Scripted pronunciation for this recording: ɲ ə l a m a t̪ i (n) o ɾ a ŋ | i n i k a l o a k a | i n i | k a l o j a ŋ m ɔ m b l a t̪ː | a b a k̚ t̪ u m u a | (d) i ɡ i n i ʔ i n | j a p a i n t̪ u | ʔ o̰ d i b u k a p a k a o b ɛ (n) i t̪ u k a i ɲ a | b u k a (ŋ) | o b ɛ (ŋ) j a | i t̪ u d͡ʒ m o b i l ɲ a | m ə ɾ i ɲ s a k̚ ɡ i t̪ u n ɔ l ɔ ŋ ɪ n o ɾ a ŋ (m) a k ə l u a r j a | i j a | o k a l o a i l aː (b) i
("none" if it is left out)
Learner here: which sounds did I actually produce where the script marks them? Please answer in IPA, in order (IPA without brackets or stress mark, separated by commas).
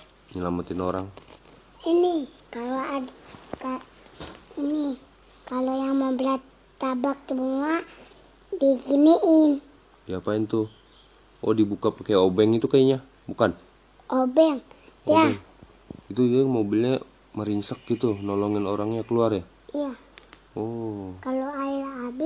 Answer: n, d, ŋ, n, ŋ, ɲ, b